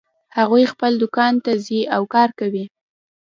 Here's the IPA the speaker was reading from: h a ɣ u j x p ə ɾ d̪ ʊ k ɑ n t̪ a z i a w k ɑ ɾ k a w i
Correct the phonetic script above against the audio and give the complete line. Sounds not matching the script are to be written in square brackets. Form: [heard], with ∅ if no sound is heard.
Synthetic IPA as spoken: h a ɣ u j x p ə [l] d̪ ʊ k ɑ n t̪ a z i a w k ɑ ɾ k a w i